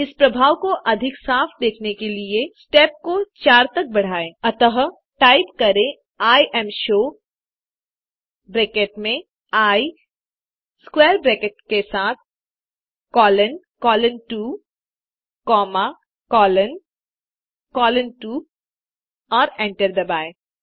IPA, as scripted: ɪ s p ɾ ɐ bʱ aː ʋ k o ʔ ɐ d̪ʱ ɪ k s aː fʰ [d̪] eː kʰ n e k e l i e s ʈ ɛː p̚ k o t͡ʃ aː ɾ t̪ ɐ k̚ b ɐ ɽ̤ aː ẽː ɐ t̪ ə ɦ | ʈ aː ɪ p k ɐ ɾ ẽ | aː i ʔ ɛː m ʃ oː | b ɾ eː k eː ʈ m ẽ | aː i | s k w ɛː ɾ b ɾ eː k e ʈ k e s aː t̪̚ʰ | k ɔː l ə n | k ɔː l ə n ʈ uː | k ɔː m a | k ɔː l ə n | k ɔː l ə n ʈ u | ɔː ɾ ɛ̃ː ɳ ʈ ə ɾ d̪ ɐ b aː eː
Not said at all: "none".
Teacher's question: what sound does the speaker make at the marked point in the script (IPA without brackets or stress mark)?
d̪